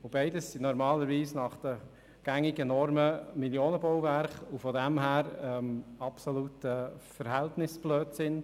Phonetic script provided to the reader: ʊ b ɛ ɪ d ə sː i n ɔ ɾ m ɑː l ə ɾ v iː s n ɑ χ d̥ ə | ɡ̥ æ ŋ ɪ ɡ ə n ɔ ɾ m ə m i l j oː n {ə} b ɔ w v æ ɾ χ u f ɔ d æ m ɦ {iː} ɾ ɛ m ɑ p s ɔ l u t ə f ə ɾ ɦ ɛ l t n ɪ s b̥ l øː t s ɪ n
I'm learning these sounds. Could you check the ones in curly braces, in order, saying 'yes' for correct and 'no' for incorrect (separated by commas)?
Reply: yes, no